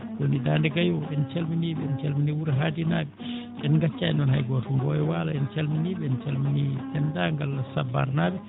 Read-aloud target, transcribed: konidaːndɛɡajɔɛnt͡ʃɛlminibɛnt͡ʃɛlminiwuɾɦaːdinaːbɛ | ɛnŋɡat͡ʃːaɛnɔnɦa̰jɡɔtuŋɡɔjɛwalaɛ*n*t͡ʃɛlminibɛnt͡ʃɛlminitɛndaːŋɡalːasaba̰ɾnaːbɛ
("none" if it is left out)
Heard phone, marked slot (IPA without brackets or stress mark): n